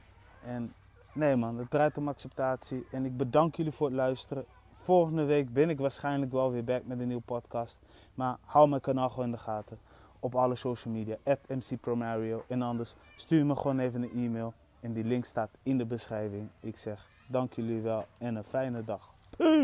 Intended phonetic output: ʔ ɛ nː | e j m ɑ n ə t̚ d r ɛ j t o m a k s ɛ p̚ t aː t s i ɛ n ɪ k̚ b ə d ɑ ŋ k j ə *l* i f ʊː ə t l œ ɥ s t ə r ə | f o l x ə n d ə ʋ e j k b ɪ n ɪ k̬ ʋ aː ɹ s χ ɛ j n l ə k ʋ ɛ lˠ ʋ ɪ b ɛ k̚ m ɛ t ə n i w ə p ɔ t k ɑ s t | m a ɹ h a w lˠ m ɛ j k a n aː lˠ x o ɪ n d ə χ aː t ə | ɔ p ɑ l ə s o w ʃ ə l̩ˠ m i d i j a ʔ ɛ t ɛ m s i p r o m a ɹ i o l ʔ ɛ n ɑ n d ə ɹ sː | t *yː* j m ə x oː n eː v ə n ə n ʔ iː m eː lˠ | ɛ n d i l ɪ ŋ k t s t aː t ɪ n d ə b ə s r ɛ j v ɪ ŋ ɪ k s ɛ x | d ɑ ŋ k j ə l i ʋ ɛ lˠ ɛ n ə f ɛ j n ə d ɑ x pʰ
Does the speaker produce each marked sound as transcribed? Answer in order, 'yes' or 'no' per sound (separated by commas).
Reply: yes, yes